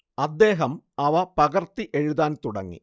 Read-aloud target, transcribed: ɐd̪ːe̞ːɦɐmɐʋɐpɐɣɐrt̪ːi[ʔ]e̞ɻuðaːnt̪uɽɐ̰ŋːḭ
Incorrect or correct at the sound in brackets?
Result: correct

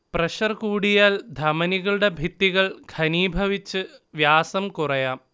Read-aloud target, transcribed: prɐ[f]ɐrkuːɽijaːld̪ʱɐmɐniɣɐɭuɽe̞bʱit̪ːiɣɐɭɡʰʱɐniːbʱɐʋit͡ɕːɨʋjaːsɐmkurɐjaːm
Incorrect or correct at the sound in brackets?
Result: incorrect: ɕ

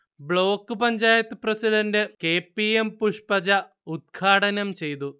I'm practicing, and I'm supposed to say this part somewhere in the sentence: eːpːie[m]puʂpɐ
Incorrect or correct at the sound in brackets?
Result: correct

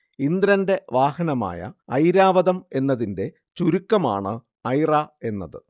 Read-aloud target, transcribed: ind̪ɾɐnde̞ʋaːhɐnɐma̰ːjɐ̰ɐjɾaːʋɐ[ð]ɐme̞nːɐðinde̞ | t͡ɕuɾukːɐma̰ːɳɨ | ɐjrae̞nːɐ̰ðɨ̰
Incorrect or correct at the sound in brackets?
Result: correct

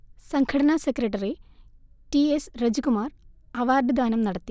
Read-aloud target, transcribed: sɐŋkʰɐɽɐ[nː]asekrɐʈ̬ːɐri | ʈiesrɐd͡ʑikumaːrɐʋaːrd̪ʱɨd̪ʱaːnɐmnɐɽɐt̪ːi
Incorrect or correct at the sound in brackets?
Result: incorrect: n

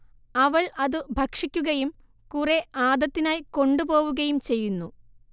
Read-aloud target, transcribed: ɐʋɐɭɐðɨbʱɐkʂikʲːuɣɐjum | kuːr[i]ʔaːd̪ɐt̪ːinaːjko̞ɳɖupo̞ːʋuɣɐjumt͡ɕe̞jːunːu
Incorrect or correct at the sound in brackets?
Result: incorrect: e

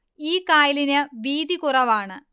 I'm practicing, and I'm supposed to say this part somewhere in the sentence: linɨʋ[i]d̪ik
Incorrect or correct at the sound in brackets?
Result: incorrect: iː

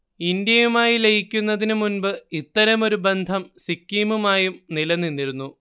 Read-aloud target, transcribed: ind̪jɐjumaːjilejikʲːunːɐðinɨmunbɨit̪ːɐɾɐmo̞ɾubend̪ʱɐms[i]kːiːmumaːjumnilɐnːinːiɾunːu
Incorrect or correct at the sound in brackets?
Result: correct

